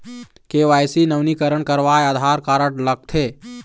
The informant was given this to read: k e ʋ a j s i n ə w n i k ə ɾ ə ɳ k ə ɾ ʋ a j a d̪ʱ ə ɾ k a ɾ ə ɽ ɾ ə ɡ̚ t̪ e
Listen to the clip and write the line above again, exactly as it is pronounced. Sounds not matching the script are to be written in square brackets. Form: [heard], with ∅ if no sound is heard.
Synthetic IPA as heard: k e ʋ a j s i n ə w n i k ə ɾ ə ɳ k ə ɾ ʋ a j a d̪ʱ [a] ɾ k a ɾ ə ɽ [l] ə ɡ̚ [t̪ʰ] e

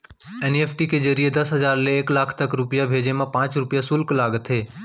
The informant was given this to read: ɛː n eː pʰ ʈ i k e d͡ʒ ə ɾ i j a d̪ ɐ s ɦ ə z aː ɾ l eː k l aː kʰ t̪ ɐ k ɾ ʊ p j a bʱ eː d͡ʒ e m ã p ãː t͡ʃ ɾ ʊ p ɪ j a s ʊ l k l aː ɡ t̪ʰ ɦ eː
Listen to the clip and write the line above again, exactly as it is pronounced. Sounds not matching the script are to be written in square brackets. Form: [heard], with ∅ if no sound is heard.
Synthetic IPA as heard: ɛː n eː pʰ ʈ i k e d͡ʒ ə ɾ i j [e] d̪ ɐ s ɦ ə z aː ɾ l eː k l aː kʰ t̪ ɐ k ɾ ʊ p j a bʱ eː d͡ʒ e m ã p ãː t͡ʃ ɾ ʊ p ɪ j a s ʊ l k l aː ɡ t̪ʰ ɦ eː

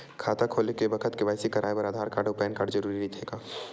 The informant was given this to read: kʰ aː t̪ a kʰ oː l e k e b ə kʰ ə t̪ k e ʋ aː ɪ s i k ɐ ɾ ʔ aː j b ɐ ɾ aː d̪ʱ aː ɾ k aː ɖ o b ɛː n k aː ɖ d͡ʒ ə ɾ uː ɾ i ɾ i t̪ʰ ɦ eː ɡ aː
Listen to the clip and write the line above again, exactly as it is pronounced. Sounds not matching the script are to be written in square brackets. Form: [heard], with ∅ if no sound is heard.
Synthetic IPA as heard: kʰ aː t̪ a kʰ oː l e k e b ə kʰ ə t̪ k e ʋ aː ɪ s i k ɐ ɾ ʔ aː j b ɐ ɾ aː d̪ʱ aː ɾ k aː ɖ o [p] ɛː n k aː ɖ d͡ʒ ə ɾ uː ɾ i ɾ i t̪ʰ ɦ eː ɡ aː

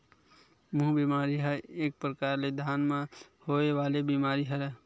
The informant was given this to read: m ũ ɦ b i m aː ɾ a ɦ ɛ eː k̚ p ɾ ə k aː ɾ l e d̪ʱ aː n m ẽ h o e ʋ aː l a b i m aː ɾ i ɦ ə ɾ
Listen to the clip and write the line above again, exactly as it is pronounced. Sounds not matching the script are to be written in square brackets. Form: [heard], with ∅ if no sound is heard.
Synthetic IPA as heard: m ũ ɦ b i m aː ɾ [i] ɦ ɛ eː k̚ p ɾ ə k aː ɾ l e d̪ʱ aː n m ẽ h o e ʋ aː l [e] b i m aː ɾ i ɦ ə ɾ

